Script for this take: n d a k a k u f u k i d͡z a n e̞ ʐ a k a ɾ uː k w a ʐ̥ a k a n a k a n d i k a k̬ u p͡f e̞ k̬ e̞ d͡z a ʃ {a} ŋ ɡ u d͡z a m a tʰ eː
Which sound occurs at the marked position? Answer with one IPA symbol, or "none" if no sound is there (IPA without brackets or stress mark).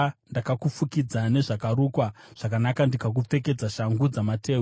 a